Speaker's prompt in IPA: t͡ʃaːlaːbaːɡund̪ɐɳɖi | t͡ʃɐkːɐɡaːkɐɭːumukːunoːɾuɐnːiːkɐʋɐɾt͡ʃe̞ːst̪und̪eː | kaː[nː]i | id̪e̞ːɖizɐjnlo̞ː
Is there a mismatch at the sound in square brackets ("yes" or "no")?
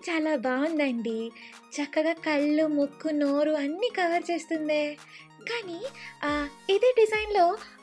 yes